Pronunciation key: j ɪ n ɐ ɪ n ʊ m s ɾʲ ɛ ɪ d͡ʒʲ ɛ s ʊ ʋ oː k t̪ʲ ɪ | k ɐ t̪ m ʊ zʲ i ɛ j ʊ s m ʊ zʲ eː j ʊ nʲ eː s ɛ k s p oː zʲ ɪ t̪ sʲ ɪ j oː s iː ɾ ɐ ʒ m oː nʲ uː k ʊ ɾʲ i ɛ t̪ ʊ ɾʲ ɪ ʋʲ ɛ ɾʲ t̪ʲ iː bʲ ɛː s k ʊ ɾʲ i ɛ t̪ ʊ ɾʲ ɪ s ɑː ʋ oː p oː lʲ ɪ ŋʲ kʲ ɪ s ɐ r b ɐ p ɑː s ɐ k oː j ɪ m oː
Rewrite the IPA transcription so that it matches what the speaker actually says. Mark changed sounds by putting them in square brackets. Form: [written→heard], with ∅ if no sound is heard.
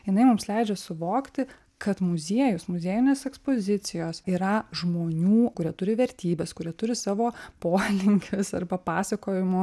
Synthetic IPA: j ɪ n ɐ ɪ [n→m] ʊ m s [ɾʲ→lʲ] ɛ ɪ d͡ʒʲ ɛ s ʊ ʋ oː k t̪ʲ ɪ | k ɐ t̪ m ʊ zʲ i ɛ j ʊ s m ʊ zʲ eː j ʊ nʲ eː s ɛ k s p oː zʲ ɪ t̪ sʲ ɪ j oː s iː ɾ ɐ ʒ m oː nʲ uː k ʊ ɾʲ i ɛ t̪ ʊ ɾʲ ɪ ʋʲ ɛ ɾʲ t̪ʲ iː bʲ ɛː s k ʊ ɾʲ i ɛ t̪ ʊ ɾʲ ɪ s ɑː ʋ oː p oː lʲ ɪ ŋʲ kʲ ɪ s ɐ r b ɐ p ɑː s ɐ k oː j ɪ m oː